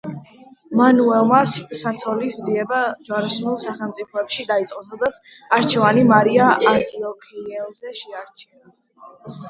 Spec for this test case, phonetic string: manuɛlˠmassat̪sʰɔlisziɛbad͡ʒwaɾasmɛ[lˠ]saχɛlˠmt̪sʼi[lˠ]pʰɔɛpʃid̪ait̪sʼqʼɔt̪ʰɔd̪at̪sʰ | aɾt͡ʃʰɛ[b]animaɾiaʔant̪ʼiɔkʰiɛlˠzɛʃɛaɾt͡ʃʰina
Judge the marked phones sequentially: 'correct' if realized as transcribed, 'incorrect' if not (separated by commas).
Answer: correct, incorrect, incorrect